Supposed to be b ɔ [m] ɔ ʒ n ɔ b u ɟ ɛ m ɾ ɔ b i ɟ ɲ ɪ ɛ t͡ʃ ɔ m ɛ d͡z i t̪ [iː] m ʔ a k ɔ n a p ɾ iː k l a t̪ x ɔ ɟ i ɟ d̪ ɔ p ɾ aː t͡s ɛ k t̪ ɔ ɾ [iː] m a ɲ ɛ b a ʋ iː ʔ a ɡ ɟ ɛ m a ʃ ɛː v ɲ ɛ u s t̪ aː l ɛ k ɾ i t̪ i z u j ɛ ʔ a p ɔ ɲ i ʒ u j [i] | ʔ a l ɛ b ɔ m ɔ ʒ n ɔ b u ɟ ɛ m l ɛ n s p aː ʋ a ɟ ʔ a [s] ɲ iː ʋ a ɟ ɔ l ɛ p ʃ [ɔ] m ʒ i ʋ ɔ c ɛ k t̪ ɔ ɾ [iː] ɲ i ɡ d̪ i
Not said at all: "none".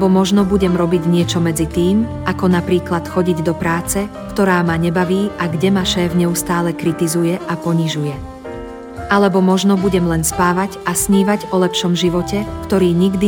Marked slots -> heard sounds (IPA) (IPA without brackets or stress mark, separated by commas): m, iː, aː, ɛ, s, ɔ, iː